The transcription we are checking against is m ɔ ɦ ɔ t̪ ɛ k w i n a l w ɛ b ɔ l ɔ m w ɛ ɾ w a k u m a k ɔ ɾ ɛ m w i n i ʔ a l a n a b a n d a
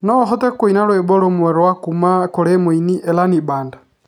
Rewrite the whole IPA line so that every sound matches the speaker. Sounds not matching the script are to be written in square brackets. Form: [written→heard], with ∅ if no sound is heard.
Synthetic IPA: [m→n] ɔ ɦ ɔ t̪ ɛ k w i n a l w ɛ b ɔ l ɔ m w ɛ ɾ w a k u m a k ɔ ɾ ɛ m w i n i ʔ [a→ɛ] l a n [a→i] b a n d a